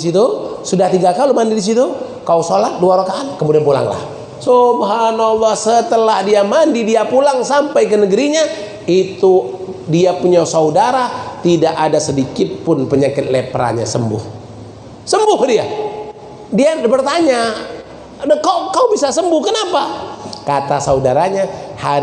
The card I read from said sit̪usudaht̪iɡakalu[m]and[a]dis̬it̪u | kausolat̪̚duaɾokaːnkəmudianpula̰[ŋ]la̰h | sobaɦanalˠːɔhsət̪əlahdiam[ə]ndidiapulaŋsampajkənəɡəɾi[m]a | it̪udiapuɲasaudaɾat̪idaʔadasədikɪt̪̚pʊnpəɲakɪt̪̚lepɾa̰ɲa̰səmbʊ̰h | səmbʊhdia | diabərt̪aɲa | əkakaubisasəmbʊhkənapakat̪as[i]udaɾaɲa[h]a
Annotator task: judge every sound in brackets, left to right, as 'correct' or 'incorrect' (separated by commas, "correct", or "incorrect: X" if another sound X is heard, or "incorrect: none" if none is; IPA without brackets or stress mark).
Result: correct, incorrect: i, correct, incorrect: a, incorrect: ɲ, incorrect: a, correct